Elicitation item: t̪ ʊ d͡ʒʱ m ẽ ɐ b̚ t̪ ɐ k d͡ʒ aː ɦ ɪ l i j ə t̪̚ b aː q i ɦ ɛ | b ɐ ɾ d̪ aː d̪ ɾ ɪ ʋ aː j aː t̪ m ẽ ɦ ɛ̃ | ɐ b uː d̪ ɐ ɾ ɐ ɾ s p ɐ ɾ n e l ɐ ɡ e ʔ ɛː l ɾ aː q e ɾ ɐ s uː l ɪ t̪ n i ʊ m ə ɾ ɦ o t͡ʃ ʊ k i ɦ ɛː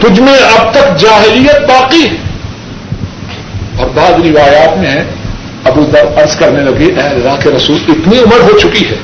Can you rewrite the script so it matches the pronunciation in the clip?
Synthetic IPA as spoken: t̪ ʊ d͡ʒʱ m ẽ ɐ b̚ t̪ ɐ k d͡ʒ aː ɦ ɪ l i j ə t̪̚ b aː q i ɦ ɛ | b ɐ ɾ d̪ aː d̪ ɾ ɪ ʋ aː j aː t̪ m ẽ ɦ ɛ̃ | ɐ b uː d̪ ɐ ɾ ɐ ɾ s k ɐ ɾ n e l ɐ ɡ e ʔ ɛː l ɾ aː k e ɾ ɐ s uː l ɪ t̪ n i ʊ m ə ɾ ɦ o t͡ʃ ʊ k i ɦ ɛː